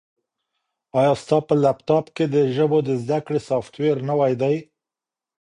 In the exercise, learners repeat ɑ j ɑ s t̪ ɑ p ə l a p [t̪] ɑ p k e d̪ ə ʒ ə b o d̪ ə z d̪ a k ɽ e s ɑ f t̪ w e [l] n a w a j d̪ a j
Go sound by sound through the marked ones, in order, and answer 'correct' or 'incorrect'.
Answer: correct, incorrect: ɾ

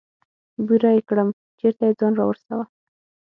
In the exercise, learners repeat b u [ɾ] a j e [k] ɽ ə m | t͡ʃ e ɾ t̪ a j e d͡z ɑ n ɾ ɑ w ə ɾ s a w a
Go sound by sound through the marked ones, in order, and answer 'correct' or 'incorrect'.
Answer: correct, correct

